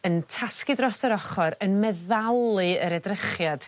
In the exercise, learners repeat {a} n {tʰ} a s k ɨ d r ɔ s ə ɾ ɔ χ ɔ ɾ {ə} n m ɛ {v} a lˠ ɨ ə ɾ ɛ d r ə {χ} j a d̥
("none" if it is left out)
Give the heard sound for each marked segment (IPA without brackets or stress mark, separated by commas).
ə, tʰ, ə, ð, χ